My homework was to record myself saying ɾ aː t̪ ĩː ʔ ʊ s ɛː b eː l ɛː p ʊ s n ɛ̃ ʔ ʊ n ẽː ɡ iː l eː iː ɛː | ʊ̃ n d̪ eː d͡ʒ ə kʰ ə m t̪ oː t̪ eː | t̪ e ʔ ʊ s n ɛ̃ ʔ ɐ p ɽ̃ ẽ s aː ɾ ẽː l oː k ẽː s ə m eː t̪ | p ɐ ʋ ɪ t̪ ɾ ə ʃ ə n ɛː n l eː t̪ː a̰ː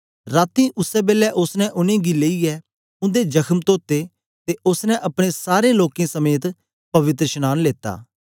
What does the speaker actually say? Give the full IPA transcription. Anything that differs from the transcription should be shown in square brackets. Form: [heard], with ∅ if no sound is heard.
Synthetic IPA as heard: ɾ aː t̪ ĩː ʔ ʊ s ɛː b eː l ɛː [ʔ] ʊ s n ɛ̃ ʔ ʊ n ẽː ɡ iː l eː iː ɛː | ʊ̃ n d̪ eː d͡ʒ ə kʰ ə m t̪ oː t̪ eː | t̪ e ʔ ʊ s n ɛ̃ ʔ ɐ p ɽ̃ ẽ s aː ɾ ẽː l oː k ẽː s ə m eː t̪ | p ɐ ʋ ɪ t̪ ɾ ə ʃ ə n [aː] n l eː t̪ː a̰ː

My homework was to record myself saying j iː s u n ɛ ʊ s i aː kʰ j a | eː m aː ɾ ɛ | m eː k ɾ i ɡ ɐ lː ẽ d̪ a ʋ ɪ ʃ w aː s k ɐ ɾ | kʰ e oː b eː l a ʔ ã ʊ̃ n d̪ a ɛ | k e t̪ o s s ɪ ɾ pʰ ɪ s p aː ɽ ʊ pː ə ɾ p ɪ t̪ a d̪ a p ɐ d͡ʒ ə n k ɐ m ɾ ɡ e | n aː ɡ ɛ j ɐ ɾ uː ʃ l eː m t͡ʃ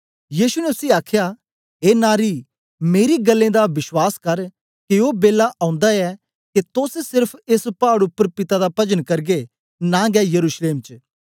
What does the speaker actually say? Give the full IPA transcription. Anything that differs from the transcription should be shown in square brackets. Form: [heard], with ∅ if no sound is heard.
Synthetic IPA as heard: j iː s u n ɛ ʊ s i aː kʰ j a | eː [n] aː ɾ [i] | m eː [∅] ɾ i ɡ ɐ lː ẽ d̪ a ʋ ɪ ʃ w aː s k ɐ ɾ | [k] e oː b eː l a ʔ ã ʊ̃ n d̪ a ɛ | k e t̪ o s s ɪ ɾ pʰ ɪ s p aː ɽ ʊ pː ə ɾ p ɪ t̪ a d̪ a p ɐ d͡ʒ ə n k ɐ [∅] ɾ ɡ e | n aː ɡ ɛ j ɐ ɾ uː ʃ l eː m t͡ʃ

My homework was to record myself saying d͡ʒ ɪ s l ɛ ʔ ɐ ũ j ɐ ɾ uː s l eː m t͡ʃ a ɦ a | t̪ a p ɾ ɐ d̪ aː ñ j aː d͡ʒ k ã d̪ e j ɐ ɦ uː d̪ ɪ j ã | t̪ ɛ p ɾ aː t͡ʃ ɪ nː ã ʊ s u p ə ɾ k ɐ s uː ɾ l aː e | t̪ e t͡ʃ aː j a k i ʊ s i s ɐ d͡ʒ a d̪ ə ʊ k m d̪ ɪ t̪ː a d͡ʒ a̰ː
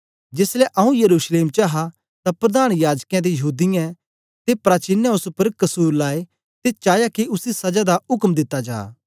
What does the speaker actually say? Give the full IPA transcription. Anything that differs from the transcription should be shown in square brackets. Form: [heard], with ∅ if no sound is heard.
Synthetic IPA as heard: d͡ʒ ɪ s l ɛ ʔ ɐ ũ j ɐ ɾ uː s l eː m t͡ʃ a ɦ a | t̪ a p ɾ ɐ d̪ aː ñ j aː d͡ʒ k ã d̪ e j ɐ ɦ uː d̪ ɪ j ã | t̪ [e] p ɾ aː t͡ʃ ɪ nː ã ʊ s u p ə ɾ k ɐ s uː ɾ l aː e | t̪ e t͡ʃ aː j a k i ʊ s i s ɐ d͡ʒ a d̪ [a] ʊ k m d̪ ɪ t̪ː a d͡ʒ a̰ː

